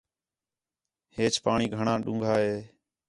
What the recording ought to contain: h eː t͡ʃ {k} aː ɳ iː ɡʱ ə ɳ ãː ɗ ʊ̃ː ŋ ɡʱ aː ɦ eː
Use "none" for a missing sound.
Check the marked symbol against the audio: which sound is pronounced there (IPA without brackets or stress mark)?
p